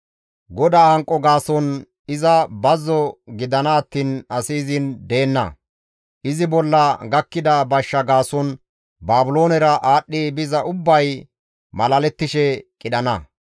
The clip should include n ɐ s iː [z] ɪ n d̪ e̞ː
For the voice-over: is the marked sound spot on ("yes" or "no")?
yes